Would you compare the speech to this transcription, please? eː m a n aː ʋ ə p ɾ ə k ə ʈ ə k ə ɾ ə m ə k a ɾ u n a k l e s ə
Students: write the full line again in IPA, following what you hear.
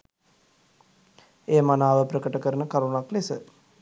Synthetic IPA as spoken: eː m a n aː ʋ ə p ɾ ə k ə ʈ ə k ə ɾ ə n ə k a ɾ u n a k l e s ə

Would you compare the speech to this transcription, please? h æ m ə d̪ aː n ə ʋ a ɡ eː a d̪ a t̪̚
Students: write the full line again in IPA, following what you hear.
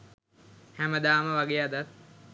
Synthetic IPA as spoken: h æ m ə d̪ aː m ə ʋ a ɡ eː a d̪ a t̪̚

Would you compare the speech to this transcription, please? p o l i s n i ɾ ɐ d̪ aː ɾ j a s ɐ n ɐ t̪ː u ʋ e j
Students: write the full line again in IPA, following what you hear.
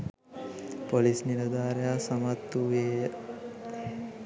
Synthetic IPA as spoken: p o l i s n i ɾ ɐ d̪ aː ɾ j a s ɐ m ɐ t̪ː u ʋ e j

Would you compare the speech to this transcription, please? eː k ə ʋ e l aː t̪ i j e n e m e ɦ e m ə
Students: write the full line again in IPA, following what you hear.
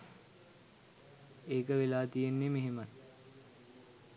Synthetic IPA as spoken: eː k ə ʋ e l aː t̪ i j e nː e m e ɦ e m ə

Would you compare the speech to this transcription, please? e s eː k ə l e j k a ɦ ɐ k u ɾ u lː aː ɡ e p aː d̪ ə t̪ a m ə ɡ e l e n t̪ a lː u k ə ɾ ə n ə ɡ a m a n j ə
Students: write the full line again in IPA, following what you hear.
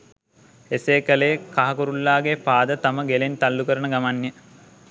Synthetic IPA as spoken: e s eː k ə l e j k a ɦ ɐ k u ɾ u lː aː ɡ e p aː d̪ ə t̪ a m ə ɡ e l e n t̪ a lː u k ə ɾ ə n ə ɡ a m a n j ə

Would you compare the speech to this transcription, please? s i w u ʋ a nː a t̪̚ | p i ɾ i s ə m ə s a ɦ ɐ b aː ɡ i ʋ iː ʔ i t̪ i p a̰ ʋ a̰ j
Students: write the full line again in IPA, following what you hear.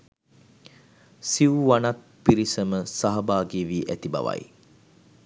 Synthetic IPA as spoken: s i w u ʋ a n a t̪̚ | p i ɾ i s ə m ə s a ɦ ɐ b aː ɡ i ʋ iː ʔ æ t̪ i b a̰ ʋ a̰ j

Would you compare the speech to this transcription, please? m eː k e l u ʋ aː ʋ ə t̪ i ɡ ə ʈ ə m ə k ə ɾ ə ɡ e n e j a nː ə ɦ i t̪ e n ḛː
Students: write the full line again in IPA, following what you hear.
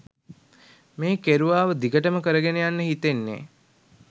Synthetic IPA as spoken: m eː k e ɾ u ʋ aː ʋ ə d̪ i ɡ ə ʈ ə m ə k ə ɾ ə ɡ e n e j a nː ə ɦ i t̪ e nː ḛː

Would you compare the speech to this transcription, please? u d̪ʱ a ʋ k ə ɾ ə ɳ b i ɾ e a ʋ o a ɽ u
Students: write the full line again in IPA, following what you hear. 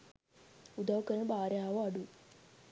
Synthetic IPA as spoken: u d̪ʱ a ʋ k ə ɾ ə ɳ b a ɾ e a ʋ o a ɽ u

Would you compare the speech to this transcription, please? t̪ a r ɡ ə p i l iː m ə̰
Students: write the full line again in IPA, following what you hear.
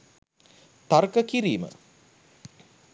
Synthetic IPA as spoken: t̪ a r k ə k i ɾ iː m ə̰

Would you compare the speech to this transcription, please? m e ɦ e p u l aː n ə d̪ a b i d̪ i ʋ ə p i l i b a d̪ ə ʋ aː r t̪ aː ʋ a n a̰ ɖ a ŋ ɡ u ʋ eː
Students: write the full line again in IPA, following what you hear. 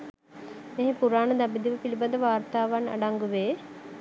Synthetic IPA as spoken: m e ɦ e p u ɾ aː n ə d̪ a b i d̪ i ʋ ə p i l i b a d̪ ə ʋ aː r t̪ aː ʋ a n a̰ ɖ a ŋ ɡ u ʋ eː

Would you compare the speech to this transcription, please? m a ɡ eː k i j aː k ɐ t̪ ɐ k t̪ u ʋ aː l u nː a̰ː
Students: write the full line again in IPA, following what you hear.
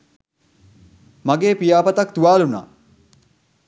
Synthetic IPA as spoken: m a ɡ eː p i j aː p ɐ t̪ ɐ k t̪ u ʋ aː l u n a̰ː

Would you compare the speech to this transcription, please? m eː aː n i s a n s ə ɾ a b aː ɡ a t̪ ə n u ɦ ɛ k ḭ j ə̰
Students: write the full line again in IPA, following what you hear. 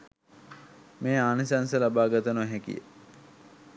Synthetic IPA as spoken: m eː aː n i s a n s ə l a b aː ɡ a t̪ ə n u ɦ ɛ k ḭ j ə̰

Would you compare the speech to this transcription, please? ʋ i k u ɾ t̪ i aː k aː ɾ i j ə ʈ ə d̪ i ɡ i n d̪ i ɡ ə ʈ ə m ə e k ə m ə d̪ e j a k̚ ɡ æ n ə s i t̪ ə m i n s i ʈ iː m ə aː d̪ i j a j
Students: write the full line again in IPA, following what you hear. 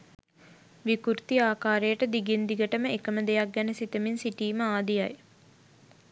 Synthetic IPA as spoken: ʋ i k u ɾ t̪ i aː k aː ɾ e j ə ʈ ə d̪ i ɡ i n d̪ i ɡ ə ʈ ə m ə e k ə m ə d̪ e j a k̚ ɡ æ n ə s i t̪ ə m i n s i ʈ iː m ə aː d̪ i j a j

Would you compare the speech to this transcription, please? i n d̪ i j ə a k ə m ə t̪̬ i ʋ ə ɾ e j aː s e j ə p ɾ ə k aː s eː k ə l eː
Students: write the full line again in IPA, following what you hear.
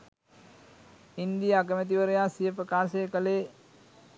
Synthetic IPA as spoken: i n d̪ i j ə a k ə m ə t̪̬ i ʋ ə ɾ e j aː s i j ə p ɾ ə k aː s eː k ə l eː

